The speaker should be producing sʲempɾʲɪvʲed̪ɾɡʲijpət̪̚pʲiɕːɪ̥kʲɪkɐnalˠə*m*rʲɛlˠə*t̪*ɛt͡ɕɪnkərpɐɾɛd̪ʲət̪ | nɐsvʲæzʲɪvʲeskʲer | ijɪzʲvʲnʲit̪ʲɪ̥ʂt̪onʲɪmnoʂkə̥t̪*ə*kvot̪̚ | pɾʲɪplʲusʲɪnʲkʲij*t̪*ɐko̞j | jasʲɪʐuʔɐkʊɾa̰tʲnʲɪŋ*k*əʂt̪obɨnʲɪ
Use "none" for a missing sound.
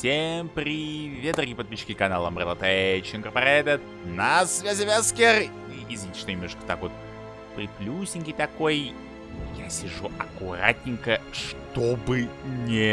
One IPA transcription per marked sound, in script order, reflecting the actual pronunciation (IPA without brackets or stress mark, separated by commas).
m, t̪, a, t̪, k